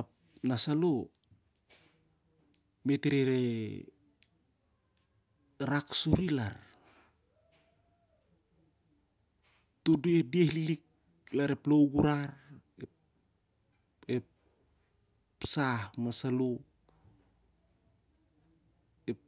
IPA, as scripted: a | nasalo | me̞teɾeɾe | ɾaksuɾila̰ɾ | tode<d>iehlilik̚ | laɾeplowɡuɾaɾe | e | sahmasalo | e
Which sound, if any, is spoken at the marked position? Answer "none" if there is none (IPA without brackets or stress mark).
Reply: d